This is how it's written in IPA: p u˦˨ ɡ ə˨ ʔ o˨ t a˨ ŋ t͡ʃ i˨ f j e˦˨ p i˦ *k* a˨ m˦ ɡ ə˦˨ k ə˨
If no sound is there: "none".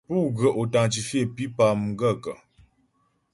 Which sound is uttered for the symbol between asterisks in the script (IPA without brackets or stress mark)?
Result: p